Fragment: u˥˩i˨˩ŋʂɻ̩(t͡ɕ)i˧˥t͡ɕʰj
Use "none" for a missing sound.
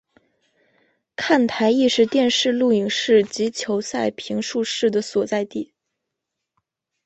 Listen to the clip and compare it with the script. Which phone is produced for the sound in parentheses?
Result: t͡ɕ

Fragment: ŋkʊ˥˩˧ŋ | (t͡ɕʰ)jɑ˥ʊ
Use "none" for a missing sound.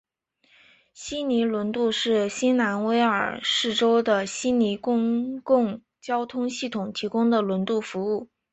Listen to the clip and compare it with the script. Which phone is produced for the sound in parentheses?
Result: t͡ɕ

